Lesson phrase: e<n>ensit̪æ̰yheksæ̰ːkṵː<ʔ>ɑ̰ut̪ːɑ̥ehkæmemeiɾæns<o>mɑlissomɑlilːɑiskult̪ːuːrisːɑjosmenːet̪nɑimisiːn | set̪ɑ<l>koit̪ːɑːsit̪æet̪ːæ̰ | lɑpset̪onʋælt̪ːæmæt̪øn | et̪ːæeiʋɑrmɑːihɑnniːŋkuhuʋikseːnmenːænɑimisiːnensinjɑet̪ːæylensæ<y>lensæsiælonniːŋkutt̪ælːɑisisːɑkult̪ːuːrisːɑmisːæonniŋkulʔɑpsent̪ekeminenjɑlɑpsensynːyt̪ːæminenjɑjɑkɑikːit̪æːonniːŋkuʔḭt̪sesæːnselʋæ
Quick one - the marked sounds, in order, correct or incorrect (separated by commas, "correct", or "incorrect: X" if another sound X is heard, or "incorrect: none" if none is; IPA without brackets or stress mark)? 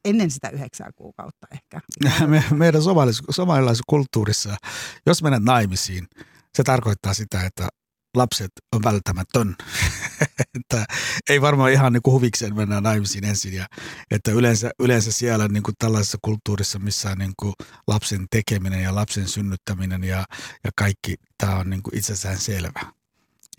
incorrect: nː, incorrect: k, correct, incorrect: r, correct